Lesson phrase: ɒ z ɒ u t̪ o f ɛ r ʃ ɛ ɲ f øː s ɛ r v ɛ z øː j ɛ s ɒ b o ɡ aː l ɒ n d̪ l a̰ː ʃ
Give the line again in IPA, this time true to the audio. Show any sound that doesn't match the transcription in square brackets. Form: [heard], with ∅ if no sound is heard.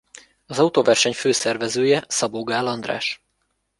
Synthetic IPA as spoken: ɒ z ɒ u t̪ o [v] ɛ r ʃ ɛ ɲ f øː s ɛ r v ɛ z øː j ɛ s ɒ b o ɡ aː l ɒ n d̪ [r] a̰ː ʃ